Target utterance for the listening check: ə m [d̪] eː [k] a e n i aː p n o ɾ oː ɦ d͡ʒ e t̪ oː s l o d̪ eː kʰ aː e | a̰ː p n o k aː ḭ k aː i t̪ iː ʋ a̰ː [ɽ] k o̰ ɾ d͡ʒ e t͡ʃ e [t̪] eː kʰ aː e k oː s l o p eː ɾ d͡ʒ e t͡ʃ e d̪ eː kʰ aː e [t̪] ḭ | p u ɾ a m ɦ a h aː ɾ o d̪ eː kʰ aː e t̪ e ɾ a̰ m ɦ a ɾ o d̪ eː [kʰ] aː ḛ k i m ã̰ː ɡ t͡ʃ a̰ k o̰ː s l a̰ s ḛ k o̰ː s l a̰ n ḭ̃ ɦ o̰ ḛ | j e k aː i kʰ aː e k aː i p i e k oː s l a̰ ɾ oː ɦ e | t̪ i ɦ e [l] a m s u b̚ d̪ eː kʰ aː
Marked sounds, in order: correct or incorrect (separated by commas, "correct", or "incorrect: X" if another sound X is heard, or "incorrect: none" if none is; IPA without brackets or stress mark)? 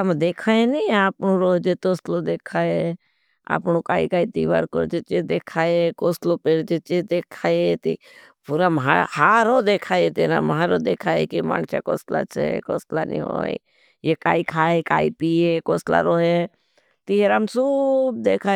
correct, incorrect: kʰ, incorrect: ɾ, incorrect: d̪, correct, correct, incorrect: ɾ